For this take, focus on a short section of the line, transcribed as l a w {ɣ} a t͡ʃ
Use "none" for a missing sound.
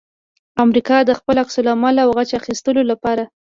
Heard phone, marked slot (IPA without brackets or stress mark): ɣ